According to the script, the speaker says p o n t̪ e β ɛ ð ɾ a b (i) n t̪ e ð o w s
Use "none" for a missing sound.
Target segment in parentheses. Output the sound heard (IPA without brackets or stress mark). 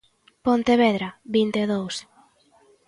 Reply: i